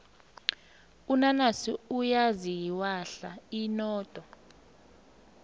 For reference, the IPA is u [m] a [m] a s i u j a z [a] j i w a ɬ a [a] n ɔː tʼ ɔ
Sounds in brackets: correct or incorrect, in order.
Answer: incorrect: n, incorrect: n, incorrect: i, incorrect: i

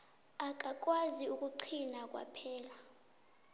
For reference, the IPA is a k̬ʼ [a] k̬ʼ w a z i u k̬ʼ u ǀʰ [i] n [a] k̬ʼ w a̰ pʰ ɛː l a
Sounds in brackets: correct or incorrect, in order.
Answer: correct, correct, correct

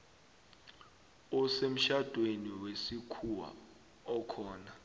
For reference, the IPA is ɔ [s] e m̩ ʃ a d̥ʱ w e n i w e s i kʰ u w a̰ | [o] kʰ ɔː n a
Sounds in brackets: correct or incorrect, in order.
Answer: correct, incorrect: ɔ

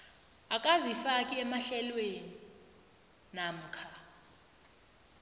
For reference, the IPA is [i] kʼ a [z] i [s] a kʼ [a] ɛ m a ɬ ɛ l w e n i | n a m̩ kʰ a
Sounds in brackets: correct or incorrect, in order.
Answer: incorrect: a, correct, incorrect: f, incorrect: i

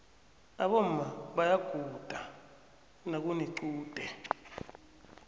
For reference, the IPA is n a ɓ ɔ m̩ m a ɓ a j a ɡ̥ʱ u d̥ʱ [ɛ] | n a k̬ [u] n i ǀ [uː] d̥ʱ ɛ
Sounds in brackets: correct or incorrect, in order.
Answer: incorrect: a, correct, correct

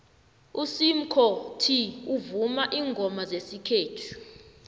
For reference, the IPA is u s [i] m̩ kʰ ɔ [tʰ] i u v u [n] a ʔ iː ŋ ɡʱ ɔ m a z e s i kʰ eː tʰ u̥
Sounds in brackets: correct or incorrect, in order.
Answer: correct, correct, incorrect: m

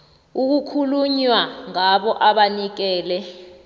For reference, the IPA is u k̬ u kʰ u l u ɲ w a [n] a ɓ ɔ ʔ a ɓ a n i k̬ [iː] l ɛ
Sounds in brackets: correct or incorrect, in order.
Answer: incorrect: ŋ, incorrect: ɛː

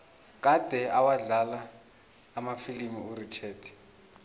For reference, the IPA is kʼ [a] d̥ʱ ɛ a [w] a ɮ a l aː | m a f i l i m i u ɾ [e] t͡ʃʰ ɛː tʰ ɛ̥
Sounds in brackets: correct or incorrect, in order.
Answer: correct, correct, incorrect: i

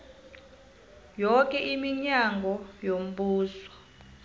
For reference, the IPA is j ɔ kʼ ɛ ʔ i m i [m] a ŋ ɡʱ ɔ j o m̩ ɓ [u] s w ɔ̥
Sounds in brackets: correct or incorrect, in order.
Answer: incorrect: ɲ, incorrect: uː

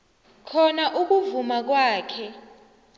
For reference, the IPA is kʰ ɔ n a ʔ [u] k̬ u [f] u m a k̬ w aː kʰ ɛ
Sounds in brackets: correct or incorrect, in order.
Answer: correct, incorrect: v

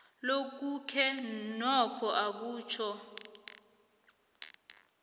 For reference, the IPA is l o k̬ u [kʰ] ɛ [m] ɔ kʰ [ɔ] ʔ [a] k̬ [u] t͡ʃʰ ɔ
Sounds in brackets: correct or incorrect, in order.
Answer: correct, incorrect: n, correct, correct, incorrect: uː

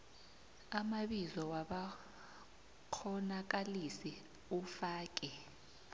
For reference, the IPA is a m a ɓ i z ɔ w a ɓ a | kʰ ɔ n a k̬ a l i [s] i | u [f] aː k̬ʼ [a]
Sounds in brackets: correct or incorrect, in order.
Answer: correct, correct, incorrect: ɛ

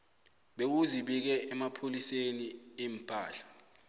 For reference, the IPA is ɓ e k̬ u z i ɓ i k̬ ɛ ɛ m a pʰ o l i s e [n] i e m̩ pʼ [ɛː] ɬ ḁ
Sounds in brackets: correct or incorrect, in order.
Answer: correct, incorrect: aː

